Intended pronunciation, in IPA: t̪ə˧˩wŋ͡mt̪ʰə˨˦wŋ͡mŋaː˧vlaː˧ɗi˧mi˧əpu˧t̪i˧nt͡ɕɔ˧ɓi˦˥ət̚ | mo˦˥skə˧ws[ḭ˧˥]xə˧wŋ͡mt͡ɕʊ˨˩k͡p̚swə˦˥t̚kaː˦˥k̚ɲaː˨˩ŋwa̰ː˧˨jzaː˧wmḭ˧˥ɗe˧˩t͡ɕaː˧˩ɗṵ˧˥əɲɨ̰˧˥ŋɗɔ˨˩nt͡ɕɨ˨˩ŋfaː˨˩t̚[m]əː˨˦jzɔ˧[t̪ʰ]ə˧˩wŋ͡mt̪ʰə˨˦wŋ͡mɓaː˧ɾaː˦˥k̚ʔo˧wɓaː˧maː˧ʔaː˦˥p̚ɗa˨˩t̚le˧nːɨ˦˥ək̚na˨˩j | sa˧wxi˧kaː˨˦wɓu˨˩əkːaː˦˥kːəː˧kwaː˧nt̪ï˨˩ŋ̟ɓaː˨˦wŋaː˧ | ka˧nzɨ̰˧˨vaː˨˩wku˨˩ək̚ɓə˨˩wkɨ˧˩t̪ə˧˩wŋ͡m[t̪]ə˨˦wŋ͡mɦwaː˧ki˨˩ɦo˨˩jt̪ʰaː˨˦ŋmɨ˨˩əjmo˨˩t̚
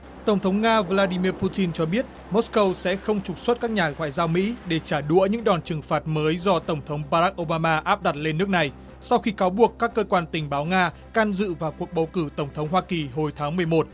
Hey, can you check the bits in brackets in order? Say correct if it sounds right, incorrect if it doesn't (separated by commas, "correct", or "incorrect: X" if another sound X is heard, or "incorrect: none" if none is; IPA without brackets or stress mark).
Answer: incorrect: ɛ̰˧˥, correct, incorrect: t̪, incorrect: t̪ʰ